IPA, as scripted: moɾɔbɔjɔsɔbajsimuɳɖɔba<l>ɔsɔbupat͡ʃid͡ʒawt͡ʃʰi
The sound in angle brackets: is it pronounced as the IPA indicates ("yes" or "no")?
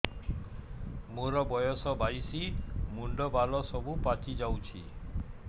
yes